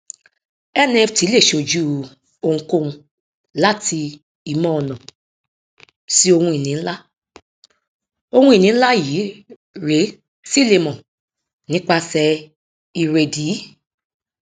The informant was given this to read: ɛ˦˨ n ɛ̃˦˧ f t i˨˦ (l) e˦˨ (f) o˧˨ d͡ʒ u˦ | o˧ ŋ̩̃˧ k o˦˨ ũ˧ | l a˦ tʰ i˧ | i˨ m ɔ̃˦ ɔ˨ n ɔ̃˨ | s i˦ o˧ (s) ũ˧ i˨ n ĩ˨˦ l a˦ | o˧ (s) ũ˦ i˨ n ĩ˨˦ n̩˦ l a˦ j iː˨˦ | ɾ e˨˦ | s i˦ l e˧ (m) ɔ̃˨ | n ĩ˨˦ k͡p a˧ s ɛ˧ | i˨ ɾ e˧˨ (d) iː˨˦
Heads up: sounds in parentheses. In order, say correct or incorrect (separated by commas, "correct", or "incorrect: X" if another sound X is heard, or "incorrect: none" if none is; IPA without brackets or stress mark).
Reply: correct, incorrect: ʃ, incorrect: h, incorrect: h, correct, correct